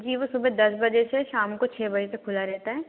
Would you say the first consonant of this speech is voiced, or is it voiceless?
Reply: voiced